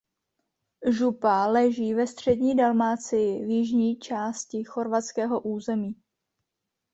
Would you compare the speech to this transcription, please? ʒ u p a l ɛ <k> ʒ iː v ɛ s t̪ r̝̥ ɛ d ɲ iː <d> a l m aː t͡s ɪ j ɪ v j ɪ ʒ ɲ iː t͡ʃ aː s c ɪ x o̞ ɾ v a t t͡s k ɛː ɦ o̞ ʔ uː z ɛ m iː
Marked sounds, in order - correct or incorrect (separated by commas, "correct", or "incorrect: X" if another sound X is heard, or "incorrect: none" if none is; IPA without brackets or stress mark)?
incorrect: none, correct